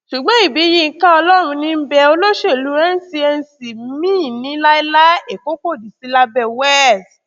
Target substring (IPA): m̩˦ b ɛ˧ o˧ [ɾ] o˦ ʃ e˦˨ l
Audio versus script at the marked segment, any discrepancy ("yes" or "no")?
yes